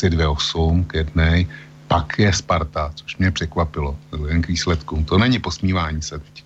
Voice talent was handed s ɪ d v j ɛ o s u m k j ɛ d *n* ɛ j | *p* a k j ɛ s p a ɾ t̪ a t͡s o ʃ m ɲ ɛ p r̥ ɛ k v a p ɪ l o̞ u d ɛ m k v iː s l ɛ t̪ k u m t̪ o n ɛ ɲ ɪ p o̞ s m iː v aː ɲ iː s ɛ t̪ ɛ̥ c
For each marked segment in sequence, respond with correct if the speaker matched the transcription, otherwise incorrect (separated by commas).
correct, correct